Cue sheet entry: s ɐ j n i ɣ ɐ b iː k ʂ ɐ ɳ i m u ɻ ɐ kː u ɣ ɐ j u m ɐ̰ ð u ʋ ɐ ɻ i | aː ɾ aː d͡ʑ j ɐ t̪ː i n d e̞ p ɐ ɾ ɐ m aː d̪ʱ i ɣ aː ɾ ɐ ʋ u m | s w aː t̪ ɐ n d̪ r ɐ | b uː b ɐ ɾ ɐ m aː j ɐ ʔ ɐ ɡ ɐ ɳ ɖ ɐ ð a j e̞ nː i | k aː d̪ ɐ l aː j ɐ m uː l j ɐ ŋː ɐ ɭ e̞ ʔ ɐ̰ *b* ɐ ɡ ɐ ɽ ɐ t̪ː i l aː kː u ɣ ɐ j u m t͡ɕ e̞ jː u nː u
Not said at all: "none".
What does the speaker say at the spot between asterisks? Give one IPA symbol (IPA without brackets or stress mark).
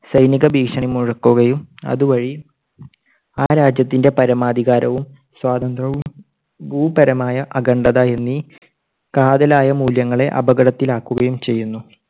b